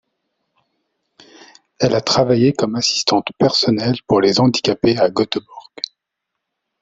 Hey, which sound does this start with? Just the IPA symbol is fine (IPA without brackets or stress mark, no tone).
ɛ